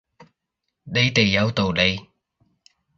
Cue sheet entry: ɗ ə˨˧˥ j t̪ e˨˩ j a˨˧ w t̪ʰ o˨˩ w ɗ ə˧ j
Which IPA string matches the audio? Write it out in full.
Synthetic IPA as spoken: ɗ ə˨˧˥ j t̪ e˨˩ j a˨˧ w t̪ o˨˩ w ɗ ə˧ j